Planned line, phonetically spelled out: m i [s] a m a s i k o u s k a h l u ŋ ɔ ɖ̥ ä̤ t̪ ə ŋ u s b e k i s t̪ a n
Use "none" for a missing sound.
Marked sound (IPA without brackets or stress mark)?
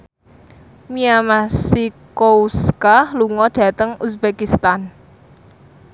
none